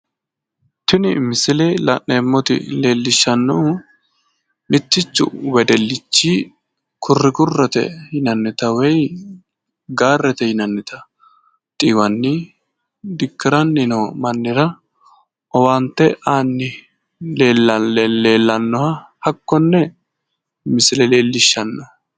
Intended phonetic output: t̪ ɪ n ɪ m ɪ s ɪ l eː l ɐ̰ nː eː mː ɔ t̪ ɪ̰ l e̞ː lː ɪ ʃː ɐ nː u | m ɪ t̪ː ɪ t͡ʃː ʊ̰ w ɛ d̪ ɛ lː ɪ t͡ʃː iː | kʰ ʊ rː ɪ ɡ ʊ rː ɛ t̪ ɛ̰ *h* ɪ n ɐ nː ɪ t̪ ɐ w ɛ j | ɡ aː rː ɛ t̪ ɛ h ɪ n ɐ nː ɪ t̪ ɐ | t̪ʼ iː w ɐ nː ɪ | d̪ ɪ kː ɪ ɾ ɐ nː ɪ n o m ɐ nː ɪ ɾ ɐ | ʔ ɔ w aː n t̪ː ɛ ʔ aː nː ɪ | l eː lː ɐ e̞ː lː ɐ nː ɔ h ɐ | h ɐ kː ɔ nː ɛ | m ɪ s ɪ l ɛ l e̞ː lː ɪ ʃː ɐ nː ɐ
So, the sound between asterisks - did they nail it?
yes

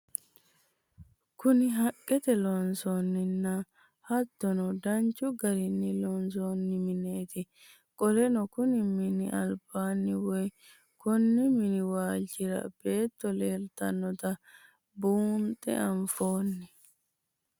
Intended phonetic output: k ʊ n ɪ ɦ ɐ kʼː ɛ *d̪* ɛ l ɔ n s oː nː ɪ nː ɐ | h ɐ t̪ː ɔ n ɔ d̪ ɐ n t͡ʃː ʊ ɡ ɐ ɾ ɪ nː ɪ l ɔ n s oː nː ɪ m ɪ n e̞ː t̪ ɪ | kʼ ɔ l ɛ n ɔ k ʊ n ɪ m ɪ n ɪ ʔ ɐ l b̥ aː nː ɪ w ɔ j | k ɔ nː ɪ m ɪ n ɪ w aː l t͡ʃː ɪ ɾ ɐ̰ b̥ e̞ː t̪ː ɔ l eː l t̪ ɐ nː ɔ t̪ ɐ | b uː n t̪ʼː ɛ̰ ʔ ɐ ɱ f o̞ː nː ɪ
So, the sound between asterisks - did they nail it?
no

